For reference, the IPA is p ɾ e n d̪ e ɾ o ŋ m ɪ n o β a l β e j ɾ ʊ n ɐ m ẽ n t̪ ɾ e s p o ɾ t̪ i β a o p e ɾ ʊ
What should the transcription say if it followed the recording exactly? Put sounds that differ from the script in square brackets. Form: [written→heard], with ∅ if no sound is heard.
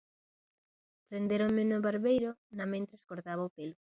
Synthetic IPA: p ɾ e n d̪ e ɾ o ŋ m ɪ n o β a [l→ɾ] β e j ɾ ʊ n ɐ m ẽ n t̪ ɾ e s [p→k] o ɾ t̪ [i→a] β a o p e [ɾ→l] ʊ